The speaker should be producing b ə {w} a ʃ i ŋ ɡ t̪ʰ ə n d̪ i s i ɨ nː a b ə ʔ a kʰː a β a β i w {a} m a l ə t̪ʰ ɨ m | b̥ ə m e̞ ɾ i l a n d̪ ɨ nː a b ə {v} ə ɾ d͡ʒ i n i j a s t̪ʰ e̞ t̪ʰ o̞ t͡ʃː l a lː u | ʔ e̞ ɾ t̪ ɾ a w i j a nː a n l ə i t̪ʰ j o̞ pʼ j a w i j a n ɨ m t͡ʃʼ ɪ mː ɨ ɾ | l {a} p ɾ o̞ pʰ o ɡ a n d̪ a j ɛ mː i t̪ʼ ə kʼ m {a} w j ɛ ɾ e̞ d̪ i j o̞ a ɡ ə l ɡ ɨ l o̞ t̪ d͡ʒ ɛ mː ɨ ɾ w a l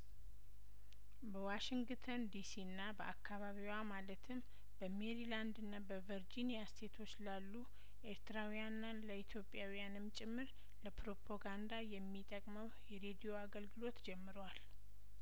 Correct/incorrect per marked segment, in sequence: correct, correct, correct, incorrect, incorrect

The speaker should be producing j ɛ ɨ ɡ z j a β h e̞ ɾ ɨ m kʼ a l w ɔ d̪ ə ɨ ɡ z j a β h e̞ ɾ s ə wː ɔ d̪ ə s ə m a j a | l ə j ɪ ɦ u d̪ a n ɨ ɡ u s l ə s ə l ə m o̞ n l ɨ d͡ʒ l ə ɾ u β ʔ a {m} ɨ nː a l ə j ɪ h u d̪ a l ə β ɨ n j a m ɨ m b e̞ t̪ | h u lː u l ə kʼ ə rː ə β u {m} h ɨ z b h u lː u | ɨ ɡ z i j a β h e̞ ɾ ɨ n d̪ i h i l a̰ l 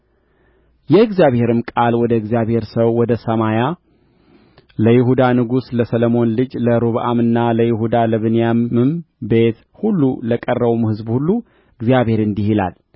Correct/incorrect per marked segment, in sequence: correct, correct

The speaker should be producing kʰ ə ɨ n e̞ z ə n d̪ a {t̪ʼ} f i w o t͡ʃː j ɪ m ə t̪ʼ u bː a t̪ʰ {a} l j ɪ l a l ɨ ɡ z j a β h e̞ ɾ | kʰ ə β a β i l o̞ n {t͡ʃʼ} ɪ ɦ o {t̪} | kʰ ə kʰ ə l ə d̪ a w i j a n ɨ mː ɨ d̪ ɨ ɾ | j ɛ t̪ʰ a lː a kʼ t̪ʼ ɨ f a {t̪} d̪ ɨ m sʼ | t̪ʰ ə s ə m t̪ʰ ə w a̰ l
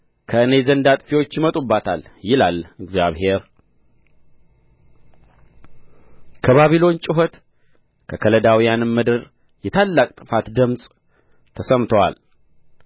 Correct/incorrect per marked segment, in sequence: correct, correct, correct, correct, correct

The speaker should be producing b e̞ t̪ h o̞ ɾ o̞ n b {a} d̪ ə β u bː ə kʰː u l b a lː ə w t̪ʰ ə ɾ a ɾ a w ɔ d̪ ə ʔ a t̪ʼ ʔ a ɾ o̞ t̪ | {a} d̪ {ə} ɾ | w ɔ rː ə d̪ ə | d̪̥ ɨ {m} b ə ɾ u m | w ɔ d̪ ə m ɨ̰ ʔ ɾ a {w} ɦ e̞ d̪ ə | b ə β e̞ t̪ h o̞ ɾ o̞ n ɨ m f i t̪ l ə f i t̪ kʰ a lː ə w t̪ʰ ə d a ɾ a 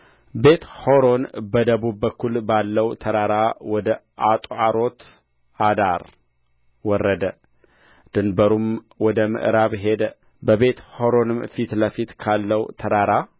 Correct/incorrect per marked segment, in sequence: incorrect, correct, incorrect, incorrect, incorrect

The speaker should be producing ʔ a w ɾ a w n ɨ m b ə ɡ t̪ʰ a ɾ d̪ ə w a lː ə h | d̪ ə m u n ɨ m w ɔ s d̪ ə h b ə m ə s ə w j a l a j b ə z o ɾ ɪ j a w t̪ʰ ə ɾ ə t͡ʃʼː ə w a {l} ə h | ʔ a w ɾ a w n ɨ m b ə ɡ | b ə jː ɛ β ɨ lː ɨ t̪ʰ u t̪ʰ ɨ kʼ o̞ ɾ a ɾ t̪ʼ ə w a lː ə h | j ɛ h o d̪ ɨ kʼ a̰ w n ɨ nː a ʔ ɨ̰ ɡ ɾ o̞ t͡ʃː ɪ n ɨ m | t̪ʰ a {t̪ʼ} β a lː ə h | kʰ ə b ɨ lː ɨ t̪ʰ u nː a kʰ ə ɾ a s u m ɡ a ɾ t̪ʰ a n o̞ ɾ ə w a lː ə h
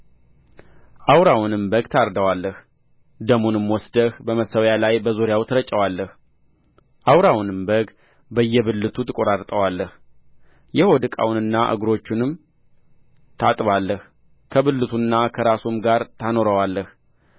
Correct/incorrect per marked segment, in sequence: incorrect, correct

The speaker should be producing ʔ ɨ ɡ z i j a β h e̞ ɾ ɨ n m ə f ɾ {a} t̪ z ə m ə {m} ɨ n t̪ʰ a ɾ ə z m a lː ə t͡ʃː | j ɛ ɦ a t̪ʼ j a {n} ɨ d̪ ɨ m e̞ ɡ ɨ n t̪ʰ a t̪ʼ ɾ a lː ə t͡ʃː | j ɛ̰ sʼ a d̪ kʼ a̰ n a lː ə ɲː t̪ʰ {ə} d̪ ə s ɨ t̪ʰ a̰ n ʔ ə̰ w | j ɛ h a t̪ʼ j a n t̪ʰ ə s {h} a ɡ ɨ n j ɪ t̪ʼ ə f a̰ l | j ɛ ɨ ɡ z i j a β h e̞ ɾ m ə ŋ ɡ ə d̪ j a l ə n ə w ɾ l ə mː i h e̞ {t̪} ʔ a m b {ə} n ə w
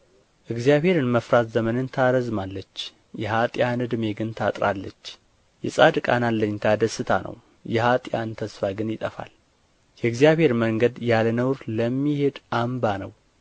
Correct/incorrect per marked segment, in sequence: correct, incorrect, correct, incorrect, incorrect, incorrect, incorrect

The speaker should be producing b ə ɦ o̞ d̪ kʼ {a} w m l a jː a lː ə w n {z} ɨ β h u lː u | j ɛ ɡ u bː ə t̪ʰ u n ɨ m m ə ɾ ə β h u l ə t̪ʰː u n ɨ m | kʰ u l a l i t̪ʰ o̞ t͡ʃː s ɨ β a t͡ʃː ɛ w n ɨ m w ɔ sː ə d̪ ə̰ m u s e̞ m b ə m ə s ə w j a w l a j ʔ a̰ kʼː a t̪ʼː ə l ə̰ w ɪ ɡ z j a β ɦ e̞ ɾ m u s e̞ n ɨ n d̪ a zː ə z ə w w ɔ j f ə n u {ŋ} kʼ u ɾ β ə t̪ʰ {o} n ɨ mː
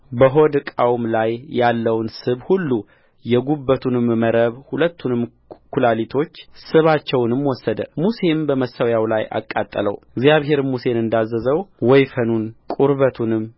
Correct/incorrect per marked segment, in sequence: correct, incorrect, incorrect, incorrect

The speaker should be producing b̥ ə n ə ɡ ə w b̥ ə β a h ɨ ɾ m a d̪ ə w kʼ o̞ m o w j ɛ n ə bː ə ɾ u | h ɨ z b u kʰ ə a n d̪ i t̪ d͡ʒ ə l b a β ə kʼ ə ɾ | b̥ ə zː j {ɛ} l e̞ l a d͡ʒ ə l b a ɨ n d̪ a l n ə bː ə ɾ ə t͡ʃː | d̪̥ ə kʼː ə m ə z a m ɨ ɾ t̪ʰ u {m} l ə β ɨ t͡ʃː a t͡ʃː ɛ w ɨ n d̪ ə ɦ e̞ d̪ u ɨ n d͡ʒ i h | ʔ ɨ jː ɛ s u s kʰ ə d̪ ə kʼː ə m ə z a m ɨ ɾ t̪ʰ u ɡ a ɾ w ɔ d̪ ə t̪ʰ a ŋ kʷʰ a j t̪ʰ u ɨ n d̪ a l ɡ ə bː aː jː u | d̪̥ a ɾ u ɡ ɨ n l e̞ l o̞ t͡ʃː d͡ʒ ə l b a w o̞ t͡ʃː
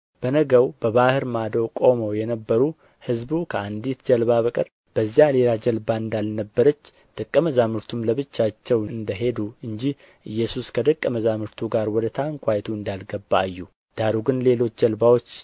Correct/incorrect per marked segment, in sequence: incorrect, correct

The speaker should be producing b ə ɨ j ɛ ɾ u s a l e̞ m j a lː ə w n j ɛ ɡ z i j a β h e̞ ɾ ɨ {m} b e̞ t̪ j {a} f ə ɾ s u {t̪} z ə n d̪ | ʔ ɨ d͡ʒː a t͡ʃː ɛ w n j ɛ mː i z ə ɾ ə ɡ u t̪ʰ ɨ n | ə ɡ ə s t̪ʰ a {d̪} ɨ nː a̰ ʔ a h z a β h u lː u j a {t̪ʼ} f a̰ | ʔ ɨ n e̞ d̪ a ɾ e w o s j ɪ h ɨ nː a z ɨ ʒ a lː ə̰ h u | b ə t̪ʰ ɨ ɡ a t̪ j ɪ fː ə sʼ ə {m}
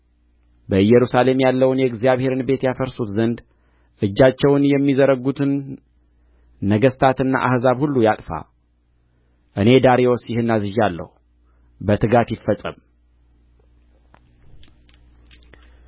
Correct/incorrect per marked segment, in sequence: incorrect, correct, correct, incorrect, correct, correct

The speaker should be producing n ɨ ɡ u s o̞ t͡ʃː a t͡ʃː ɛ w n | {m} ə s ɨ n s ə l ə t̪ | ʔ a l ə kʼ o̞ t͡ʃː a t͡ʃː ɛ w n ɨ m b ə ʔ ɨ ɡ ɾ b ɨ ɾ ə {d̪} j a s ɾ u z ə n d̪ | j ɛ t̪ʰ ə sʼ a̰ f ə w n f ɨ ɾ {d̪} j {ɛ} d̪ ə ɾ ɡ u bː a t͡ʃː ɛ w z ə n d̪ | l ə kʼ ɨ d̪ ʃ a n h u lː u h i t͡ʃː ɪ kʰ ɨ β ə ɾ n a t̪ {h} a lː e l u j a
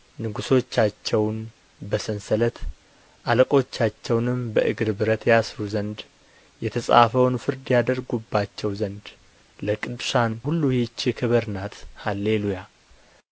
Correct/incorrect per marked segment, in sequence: incorrect, incorrect, correct, incorrect, correct

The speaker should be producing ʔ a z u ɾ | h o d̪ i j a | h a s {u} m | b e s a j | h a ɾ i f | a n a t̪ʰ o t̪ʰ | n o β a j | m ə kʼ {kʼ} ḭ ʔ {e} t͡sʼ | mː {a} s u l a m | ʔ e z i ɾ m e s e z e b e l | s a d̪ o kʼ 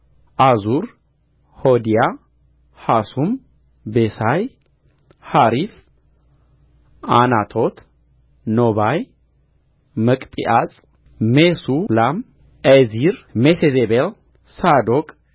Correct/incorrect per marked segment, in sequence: correct, incorrect, incorrect, incorrect

